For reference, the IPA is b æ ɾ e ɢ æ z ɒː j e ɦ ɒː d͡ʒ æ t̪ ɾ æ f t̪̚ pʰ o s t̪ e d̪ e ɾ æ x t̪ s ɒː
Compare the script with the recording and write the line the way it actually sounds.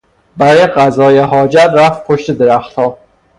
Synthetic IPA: b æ ɾ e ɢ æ z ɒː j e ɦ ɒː d͡ʒ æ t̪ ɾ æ f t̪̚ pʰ o ʃ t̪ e d̪ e ɾ æ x t̪ h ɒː